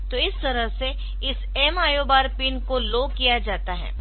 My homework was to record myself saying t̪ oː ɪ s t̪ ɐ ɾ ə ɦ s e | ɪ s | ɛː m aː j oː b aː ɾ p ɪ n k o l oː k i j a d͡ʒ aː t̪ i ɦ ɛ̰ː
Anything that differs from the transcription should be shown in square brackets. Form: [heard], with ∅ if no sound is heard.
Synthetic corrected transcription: t̪ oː ɪ s t̪ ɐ ɾ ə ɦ s e | ɪ s | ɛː m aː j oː b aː ɾ p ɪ n k o l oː k i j a d͡ʒ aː t̪ [a] ɦ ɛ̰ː